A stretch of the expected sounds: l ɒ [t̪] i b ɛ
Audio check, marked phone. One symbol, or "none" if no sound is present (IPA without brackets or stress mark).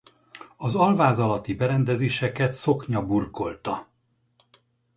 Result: t̪